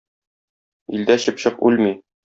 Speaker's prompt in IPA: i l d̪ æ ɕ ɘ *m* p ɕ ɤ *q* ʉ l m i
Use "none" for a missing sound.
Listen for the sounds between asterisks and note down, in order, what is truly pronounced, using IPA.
none, q

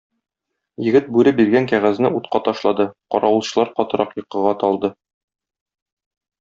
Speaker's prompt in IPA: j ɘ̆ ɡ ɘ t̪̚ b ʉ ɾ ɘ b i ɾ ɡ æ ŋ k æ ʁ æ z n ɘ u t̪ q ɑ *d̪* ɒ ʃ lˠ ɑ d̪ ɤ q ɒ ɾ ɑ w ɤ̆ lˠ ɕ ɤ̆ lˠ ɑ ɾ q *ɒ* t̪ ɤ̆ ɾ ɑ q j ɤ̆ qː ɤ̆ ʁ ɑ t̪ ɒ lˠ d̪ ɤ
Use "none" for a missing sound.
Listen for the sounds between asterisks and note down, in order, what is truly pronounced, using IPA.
t̪, ɒ

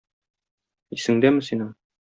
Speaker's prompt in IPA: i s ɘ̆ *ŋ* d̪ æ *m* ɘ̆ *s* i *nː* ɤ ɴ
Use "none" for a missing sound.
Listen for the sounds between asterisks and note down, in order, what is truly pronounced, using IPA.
ŋ, m, s, n

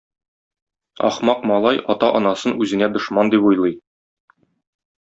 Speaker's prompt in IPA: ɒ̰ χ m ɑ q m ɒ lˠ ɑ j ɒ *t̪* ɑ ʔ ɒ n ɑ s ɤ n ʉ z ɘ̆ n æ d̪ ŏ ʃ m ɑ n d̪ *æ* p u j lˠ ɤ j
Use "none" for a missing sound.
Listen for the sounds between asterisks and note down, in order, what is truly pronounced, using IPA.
t̪, i

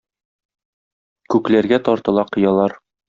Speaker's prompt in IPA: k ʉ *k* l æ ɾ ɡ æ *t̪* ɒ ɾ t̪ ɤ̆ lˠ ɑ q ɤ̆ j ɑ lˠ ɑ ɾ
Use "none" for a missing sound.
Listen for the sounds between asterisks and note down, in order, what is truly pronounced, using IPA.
k, t̪

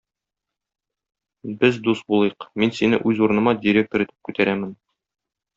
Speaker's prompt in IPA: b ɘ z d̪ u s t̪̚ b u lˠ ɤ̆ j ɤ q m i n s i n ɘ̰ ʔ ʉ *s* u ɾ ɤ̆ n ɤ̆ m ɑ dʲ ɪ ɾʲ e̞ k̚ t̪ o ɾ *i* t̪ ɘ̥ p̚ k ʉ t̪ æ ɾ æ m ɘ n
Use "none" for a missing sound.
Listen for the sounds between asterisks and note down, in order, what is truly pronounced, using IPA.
z, i

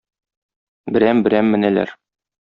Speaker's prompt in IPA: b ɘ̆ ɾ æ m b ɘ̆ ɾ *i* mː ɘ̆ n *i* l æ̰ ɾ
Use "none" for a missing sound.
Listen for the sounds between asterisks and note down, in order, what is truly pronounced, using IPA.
æ, æ

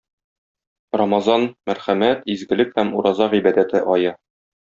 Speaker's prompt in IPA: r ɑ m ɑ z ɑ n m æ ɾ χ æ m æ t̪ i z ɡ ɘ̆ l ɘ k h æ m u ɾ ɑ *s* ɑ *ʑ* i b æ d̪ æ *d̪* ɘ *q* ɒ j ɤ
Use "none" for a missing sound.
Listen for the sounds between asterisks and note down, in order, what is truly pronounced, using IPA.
z, ʁ, t̪, ʔ

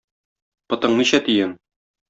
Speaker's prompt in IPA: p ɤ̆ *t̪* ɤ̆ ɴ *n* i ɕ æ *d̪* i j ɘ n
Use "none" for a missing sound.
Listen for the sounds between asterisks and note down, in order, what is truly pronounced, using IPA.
t̪, n, t̪

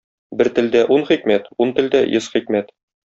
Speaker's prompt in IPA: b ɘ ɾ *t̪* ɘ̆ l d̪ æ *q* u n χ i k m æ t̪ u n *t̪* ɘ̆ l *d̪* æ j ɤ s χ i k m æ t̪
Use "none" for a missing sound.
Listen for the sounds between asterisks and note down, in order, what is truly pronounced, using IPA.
t̪, ʔ, t̪, d̪

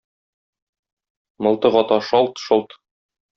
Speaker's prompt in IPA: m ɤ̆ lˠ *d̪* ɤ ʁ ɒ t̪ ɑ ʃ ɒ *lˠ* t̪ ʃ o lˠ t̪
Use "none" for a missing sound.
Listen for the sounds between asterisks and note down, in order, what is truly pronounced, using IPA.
t̪, lˠ

